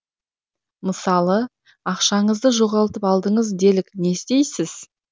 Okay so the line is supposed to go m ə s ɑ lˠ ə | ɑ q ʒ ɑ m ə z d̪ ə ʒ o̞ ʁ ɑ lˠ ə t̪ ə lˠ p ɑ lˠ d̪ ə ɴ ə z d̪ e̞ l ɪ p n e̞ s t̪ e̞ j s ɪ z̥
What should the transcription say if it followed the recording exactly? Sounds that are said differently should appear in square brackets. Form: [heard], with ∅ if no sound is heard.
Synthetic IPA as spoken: m ə s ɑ lˠ ə | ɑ q [ʃ] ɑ [ɴ] ə z d̪ ə ʒ o̞ ʁ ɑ lˠ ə t̪ ə [∅] p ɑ lˠ d̪ ə ɴ ə z d̪ e̞ l ɪ [k] n e̞ s t̪ e̞ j s ɪ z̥